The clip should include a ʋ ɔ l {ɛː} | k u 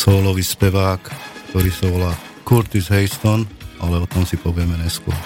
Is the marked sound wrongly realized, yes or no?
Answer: yes